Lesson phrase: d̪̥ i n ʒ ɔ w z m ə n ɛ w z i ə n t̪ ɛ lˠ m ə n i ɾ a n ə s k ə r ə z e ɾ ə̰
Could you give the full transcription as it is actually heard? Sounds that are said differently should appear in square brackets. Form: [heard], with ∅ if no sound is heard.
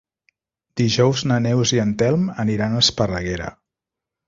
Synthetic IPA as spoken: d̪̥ i [∅] ʒ ɔ w z [n] ə n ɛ w z i ə n t̪ ɛ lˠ m ə n i ɾ a n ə s [p] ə r ə [ɣ] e ɾ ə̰